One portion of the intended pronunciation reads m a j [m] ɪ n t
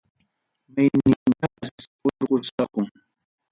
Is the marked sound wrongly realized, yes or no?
yes